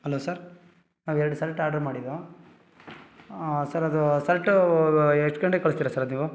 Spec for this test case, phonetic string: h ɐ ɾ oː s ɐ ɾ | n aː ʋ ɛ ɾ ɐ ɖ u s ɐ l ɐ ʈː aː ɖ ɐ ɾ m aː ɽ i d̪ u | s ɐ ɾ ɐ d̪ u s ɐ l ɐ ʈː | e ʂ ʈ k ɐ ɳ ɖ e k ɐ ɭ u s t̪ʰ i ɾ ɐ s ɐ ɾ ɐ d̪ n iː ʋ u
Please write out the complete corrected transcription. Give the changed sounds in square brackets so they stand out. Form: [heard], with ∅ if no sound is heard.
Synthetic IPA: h ɐ [l] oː s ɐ ɾ | n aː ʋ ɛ ɾ ɐ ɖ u s ɐ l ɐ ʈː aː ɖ ɐ ɾ m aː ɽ i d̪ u | s ɐ ɾ ɐ d̪ u s ɐ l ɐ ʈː | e ʂ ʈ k ɐ ɳ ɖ e k ɐ ɭ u s [t̪] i ɾ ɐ s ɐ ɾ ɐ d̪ n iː ʋ u